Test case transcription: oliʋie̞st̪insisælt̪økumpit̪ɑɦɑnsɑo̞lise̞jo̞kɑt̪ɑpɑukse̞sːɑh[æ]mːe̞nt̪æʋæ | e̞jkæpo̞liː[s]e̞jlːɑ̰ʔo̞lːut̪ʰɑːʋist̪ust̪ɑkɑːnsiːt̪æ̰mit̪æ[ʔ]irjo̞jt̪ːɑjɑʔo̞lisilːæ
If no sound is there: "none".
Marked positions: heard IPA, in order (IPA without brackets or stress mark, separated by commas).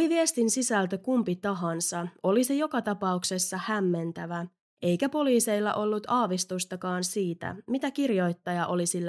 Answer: æ, s, k